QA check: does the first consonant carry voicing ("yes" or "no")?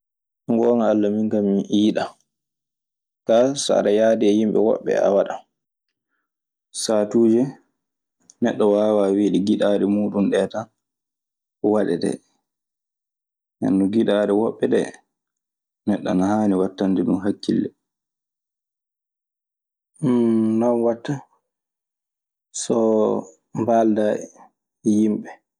yes